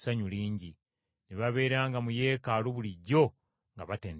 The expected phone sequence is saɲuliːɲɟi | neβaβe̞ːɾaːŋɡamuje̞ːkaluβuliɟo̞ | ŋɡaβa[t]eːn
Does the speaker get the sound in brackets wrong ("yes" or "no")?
no